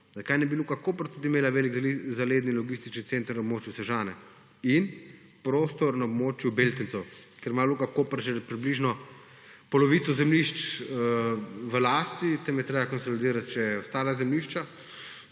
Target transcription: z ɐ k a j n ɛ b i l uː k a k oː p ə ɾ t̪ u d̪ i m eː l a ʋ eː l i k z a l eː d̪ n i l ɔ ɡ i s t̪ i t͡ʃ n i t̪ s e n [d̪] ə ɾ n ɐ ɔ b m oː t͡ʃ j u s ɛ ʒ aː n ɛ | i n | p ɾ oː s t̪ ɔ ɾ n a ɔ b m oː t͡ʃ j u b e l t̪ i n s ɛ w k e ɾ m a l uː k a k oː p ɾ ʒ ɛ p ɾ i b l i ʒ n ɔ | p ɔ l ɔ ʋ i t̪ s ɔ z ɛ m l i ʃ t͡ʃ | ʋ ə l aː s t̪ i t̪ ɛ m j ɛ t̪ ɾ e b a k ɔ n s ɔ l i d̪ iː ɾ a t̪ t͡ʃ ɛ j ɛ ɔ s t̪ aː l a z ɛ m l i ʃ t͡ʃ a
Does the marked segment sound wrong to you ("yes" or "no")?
yes